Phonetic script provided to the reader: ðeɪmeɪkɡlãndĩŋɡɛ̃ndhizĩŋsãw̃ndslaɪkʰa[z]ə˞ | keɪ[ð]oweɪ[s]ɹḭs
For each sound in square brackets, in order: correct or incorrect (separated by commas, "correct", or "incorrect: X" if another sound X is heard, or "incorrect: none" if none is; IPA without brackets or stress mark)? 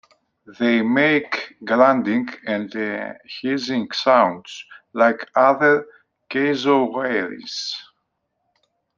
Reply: incorrect: ð, incorrect: z, incorrect: none